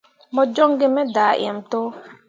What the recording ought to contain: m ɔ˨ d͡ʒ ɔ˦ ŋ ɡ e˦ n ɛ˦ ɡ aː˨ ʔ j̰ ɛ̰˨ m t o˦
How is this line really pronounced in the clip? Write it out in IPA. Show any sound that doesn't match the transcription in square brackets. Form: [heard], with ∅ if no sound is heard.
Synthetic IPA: m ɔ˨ d͡ʒ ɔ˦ ŋ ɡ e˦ [m] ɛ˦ [d] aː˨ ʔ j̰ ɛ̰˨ m t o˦